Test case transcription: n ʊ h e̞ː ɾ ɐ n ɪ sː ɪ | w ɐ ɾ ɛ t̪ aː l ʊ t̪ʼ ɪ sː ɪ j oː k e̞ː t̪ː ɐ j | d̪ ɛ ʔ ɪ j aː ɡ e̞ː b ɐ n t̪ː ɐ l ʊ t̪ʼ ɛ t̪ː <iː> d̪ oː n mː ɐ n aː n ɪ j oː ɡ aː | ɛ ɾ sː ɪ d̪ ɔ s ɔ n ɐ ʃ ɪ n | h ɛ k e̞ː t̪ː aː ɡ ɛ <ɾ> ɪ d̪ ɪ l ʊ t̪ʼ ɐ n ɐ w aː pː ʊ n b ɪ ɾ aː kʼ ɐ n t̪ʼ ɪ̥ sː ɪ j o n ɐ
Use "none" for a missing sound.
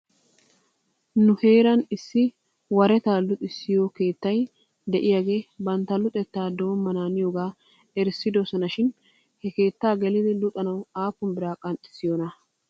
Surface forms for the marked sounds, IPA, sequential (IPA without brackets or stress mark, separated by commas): aː, l